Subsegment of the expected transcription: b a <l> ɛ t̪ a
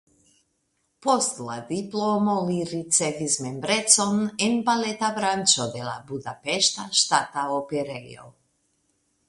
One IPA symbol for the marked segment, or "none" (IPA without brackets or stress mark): l